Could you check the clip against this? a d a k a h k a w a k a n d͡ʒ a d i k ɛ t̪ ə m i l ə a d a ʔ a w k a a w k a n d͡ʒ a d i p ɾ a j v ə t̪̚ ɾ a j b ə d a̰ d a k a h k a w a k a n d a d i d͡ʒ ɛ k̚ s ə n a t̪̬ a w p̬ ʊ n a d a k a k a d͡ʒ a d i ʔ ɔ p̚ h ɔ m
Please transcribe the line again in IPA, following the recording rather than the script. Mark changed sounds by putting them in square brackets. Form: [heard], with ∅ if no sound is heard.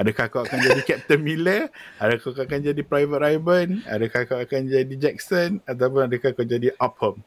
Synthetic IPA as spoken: a d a k a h k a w a k a n d͡ʒ a d i k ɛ t̪ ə m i l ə a d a [k] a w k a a [∅] k a n d͡ʒ a d i p ɾ a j v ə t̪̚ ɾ a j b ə [n] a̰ d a k a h k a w a k a n [d͡ʒ] a d i d͡ʒ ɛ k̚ s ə n a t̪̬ a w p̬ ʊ n a d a k a k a d͡ʒ a d i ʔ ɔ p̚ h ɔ m